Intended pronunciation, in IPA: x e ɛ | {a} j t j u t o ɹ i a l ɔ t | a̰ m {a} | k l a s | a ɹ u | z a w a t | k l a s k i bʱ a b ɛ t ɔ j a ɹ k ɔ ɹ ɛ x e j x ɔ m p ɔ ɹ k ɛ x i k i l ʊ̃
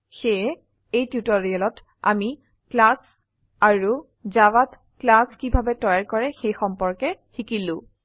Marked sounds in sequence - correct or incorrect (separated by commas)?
incorrect, incorrect